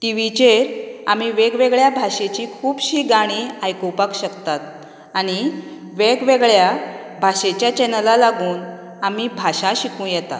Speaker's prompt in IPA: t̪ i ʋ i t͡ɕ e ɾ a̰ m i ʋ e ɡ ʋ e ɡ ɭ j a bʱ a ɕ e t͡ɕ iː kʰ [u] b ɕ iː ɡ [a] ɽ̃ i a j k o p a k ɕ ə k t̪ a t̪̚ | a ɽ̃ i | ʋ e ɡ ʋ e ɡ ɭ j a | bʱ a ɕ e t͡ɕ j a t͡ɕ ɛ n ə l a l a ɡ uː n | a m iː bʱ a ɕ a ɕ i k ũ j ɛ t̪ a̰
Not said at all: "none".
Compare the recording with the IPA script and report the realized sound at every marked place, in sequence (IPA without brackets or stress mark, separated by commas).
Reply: uː, a